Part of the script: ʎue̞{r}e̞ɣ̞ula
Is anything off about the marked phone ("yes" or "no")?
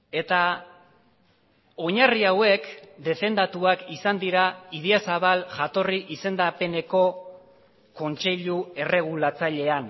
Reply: no